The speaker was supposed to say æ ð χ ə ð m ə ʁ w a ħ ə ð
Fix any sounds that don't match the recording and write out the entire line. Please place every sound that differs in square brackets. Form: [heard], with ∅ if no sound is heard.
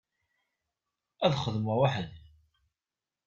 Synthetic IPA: æ ð χ ə ð m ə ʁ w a ħ ə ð